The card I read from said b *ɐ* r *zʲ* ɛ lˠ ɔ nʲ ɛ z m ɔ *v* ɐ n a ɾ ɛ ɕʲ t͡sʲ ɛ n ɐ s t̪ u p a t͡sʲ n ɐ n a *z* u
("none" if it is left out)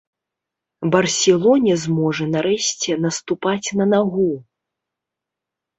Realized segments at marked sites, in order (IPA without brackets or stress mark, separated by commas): ɐ, sʲ, ʐ, ɣ